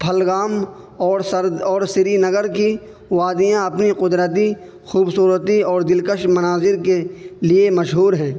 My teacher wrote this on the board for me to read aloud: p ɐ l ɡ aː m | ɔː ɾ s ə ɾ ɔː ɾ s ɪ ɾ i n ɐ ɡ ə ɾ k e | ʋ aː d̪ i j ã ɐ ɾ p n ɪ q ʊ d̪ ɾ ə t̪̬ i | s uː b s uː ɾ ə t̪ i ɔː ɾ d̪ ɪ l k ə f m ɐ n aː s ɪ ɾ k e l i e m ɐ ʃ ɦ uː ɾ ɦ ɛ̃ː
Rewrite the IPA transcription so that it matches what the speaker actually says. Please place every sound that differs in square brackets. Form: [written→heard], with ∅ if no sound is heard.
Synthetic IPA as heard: [p→pʰ] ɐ l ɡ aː m | ɔː ɾ s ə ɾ ɔː ɾ s ɪ ɾ i n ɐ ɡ ə ɾ k [e→i] | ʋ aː d̪ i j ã ɐ [ɾ→∅] p n [ɪ→i] q ʊ d̪ ɾ ə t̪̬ i | [s→x] uː b s uː ɾ ə t̪ i ɔː ɾ d̪ ɪ l k ə [f→ʃ] m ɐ n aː [s→z] ɪ ɾ k e l i e m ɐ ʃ ɦ uː ɾ ɦ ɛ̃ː